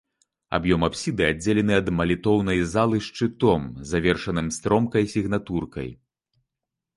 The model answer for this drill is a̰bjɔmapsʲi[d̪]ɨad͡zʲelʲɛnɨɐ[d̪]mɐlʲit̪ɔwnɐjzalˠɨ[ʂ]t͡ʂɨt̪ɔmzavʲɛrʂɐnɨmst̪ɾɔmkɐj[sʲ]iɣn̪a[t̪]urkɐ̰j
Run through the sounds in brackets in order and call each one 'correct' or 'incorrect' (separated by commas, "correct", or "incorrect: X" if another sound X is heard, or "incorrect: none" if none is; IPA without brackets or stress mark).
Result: correct, correct, correct, correct, correct